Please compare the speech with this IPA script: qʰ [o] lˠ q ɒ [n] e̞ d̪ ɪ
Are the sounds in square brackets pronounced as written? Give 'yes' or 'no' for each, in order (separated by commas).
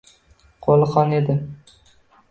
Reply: yes, yes